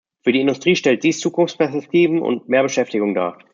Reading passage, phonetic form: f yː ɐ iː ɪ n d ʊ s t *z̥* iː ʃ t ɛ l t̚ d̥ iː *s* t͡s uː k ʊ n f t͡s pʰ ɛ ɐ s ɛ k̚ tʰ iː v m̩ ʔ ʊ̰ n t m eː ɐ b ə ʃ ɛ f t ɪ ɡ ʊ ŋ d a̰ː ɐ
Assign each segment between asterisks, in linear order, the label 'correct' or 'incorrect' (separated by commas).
incorrect, correct